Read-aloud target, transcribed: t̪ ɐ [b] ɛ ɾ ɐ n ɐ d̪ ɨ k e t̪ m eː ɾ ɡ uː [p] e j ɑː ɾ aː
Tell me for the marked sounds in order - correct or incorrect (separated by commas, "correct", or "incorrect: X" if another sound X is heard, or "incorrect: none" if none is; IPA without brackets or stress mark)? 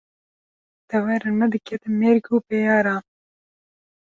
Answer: incorrect: w, correct